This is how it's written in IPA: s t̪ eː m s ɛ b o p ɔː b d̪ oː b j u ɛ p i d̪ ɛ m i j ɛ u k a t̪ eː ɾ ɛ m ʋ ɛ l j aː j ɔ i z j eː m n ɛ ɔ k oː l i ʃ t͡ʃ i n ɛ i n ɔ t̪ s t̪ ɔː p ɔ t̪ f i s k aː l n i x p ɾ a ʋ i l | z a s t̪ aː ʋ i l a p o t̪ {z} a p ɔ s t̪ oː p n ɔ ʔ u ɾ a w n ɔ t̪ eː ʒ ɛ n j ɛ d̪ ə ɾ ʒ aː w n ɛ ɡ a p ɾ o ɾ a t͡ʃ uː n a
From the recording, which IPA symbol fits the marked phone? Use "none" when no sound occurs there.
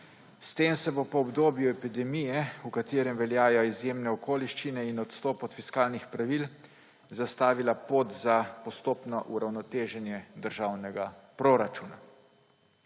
z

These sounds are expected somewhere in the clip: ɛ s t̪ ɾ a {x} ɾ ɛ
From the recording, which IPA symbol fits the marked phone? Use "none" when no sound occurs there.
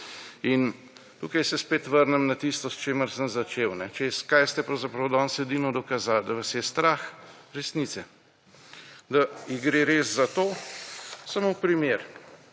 x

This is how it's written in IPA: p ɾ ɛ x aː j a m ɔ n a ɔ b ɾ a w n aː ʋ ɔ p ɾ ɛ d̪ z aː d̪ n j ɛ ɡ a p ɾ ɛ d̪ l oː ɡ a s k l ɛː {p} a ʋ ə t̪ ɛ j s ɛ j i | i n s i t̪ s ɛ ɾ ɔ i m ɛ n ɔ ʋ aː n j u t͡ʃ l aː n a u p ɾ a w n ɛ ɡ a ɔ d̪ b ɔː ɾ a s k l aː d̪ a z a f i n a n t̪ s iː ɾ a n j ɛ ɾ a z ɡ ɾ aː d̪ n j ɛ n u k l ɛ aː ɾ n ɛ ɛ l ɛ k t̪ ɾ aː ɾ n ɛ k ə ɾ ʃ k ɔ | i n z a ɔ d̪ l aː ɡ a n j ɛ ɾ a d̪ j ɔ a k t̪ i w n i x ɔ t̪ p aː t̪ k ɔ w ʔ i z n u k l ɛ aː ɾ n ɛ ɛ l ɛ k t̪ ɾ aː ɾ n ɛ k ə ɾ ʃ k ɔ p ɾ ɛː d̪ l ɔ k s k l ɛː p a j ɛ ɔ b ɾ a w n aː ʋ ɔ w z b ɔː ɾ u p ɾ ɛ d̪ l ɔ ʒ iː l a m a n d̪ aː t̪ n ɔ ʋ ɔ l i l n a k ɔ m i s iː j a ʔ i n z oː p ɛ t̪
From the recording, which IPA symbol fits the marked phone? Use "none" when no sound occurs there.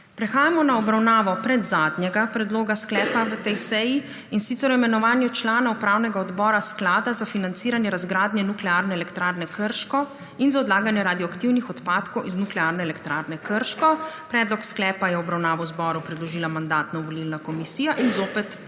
p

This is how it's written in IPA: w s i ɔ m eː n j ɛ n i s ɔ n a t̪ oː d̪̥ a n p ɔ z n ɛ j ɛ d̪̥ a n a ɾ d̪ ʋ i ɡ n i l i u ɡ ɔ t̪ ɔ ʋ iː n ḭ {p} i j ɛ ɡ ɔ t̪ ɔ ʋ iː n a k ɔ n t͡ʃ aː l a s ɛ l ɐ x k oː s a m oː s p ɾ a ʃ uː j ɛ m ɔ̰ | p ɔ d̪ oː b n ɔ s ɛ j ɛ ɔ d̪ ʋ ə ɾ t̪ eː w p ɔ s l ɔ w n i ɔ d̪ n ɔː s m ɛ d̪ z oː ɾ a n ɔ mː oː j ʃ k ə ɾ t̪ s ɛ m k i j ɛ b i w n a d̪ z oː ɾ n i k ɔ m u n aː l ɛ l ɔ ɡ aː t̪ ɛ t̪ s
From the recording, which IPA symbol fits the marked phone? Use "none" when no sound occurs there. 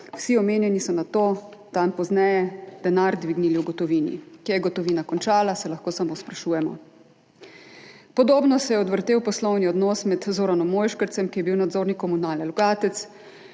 k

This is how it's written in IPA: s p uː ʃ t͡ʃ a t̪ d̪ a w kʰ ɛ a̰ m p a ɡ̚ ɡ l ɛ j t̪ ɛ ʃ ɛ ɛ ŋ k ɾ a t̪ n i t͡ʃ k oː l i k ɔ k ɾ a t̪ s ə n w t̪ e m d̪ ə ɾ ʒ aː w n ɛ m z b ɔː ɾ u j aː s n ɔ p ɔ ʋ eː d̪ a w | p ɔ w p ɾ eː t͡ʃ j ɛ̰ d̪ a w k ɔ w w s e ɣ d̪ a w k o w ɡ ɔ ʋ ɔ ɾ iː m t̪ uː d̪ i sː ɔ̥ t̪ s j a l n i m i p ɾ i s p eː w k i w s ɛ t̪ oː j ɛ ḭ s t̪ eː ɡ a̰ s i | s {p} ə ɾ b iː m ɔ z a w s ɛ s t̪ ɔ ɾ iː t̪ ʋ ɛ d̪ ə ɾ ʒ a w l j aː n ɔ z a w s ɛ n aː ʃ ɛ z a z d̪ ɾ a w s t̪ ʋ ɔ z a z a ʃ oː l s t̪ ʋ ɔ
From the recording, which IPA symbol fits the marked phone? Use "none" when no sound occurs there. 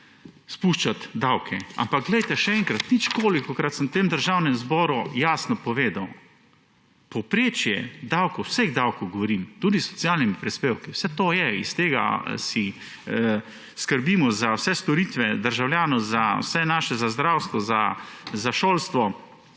k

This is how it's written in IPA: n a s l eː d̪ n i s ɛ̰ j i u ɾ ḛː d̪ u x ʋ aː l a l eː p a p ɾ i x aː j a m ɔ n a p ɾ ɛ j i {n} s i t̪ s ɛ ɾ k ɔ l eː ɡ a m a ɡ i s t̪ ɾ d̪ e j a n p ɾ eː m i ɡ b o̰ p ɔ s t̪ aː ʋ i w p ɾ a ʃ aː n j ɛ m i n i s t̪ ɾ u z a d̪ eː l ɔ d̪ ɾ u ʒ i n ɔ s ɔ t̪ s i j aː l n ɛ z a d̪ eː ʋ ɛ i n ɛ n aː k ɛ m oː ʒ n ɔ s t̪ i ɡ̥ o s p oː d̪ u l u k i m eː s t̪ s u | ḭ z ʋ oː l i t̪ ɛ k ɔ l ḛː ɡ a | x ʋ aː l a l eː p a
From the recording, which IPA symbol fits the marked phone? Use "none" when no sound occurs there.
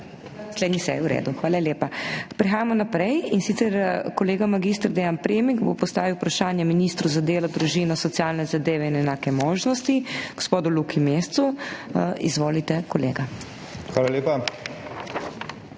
n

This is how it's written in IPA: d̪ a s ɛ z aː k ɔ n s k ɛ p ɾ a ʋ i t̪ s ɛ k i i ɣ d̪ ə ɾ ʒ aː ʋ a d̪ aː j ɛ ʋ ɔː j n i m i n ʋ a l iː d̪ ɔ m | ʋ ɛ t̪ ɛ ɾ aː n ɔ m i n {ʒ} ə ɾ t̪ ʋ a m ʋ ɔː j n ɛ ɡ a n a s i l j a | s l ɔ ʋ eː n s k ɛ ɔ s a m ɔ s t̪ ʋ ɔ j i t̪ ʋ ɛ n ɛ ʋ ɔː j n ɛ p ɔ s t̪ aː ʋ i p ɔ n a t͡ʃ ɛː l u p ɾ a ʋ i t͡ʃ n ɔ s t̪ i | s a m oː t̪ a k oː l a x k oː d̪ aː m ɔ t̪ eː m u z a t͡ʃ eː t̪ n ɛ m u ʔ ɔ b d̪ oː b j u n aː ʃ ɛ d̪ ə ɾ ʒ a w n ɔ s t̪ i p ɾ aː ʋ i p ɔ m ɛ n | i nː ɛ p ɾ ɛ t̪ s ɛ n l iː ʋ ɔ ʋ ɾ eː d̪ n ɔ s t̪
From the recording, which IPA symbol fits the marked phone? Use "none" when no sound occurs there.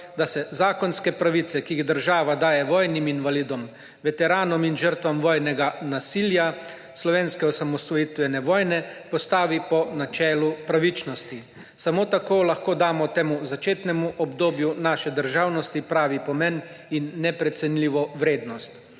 ʒ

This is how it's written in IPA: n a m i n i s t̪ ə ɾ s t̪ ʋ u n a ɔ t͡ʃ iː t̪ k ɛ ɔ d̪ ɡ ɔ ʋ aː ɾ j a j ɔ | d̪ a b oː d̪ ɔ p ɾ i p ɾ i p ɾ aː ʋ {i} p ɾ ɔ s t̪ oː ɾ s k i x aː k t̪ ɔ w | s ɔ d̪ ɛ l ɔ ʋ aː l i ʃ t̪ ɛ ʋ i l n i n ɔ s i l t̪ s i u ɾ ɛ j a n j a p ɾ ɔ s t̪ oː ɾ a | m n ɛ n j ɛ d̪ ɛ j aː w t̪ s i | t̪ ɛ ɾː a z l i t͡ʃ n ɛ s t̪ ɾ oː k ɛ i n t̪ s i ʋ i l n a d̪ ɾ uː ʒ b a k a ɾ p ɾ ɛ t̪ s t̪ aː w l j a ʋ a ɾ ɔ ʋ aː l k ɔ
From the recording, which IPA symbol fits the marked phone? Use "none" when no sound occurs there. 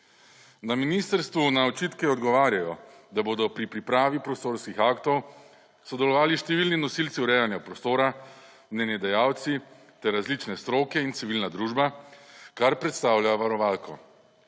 i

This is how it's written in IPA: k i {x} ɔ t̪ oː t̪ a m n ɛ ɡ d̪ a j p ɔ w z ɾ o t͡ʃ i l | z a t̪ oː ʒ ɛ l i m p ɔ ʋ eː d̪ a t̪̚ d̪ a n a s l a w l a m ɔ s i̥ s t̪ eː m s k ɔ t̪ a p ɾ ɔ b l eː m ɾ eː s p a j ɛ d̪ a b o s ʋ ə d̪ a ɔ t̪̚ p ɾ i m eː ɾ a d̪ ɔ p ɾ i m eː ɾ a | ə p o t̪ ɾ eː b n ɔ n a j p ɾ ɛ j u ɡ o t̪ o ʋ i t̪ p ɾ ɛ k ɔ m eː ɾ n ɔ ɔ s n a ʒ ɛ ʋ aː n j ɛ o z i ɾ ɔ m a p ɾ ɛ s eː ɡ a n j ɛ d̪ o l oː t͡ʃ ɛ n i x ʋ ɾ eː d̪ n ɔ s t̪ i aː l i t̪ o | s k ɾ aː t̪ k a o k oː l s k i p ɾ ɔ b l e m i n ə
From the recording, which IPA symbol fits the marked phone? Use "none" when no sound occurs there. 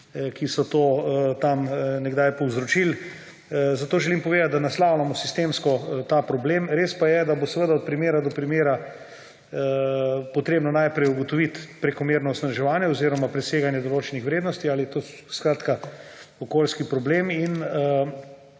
s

